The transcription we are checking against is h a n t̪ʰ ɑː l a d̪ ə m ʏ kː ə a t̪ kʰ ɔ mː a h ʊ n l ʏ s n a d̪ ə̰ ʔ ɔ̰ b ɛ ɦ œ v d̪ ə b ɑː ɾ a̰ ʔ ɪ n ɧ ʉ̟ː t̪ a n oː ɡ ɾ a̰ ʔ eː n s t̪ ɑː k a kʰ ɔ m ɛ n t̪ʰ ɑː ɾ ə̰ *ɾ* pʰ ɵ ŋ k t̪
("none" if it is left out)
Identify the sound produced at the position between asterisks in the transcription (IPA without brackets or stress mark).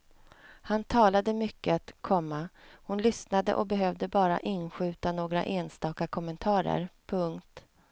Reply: ɾ